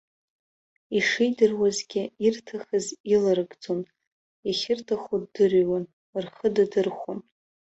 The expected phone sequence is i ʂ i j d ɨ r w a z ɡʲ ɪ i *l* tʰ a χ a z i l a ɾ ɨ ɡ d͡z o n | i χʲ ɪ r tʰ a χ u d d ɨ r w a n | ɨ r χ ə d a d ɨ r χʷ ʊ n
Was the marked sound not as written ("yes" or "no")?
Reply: yes